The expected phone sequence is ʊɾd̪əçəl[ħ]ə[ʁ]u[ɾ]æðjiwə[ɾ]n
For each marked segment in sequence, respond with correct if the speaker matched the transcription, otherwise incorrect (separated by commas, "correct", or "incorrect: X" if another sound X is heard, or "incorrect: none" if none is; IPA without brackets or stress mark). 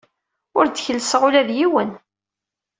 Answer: incorrect: s, correct, incorrect: l, incorrect: none